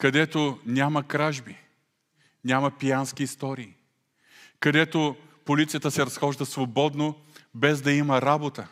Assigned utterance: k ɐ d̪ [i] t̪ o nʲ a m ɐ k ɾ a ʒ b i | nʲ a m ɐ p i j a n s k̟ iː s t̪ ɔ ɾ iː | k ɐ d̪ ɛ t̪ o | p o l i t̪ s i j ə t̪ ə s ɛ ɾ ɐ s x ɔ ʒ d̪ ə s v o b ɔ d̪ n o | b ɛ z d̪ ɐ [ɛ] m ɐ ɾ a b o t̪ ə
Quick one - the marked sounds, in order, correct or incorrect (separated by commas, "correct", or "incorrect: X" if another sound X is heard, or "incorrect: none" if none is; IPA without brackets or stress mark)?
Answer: incorrect: ɛ, incorrect: i